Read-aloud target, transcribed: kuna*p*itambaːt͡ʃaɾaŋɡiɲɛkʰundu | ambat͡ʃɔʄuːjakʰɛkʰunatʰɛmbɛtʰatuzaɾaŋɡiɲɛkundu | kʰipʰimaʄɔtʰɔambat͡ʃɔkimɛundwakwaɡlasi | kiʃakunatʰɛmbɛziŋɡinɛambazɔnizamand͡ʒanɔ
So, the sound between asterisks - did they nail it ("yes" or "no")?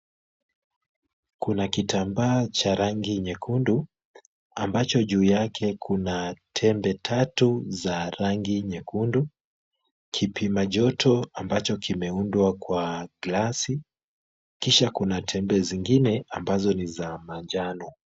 no